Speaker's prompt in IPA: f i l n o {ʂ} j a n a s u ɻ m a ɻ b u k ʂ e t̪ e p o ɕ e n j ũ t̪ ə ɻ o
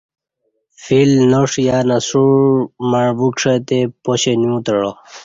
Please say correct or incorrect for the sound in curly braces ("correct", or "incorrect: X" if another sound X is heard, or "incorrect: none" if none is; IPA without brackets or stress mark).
correct